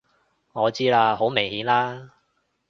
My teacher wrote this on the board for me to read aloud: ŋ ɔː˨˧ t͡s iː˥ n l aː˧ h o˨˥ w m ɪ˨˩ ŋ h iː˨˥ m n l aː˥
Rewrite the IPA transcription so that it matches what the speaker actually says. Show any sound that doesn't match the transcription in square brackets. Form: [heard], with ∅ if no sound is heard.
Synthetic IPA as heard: ŋ ɔː˨˧ t͡s iː˥ [∅] l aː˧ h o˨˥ w m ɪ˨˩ ŋ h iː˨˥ [∅] n l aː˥